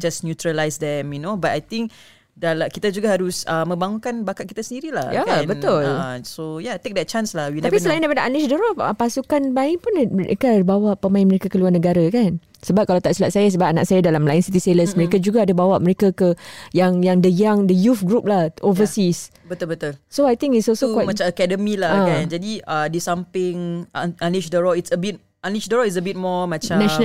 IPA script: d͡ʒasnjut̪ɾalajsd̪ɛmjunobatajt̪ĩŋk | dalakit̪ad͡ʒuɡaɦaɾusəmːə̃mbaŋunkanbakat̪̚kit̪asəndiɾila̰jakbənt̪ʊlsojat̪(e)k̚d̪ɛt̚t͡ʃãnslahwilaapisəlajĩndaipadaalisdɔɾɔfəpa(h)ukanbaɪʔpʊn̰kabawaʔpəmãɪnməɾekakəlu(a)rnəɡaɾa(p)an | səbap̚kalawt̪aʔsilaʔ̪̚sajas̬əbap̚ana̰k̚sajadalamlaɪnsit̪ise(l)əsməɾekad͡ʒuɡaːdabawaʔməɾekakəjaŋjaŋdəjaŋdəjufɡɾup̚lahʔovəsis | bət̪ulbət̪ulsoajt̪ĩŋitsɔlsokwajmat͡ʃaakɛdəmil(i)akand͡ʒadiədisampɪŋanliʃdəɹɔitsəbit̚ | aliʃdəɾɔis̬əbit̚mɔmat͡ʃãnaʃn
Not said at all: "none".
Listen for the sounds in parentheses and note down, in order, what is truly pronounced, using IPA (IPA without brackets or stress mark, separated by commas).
e, s, a, k, l, a